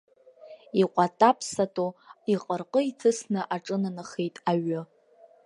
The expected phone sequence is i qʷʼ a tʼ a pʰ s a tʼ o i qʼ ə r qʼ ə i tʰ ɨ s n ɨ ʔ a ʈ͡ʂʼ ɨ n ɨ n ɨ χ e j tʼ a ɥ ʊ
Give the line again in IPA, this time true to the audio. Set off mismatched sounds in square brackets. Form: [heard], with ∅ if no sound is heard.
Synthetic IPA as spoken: i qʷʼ a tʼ a pʰ s a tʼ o i qʼ ə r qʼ ə i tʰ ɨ s n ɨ ʔ a ʈ͡ʂʼ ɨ n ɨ n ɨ χ e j tʼ a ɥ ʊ